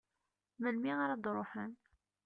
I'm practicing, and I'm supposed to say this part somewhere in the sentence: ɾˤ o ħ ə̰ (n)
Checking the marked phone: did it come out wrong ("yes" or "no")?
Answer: no